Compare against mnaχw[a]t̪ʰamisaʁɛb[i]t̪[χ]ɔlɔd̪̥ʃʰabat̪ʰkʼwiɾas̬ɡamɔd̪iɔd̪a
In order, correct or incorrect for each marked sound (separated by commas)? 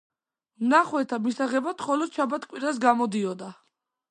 incorrect, incorrect, correct